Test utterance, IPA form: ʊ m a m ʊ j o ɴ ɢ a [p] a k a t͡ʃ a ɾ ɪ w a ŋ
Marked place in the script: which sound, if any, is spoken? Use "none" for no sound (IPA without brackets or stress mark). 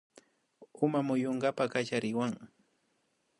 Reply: p